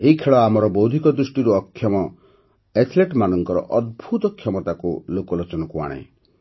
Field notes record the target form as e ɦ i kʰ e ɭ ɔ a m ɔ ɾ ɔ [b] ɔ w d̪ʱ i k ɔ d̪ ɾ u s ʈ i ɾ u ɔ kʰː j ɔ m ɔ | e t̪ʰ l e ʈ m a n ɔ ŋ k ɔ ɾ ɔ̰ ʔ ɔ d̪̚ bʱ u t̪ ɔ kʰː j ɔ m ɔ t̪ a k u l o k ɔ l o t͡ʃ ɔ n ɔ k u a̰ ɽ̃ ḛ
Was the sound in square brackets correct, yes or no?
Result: yes